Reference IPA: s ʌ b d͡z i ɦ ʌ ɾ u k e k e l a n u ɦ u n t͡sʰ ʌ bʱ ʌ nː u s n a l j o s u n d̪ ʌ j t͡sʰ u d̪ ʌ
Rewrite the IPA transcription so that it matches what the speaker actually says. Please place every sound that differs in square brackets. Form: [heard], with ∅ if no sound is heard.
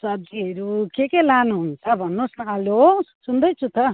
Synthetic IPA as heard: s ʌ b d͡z i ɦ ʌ ɾ u k e k e l a n u ɦ u n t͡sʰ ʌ bʱ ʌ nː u s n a l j o s u n d̪ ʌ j t͡sʰ u [t̪] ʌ